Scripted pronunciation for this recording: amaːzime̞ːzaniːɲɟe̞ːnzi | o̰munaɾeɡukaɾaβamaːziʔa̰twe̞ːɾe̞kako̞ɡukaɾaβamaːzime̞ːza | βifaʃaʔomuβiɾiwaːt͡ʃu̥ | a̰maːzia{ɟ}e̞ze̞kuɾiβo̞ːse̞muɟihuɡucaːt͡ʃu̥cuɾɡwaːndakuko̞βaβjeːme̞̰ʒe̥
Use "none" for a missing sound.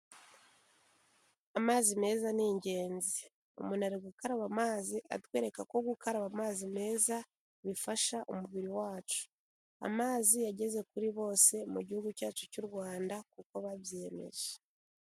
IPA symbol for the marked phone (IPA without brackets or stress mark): ɟ